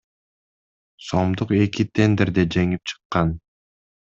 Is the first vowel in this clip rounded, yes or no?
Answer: yes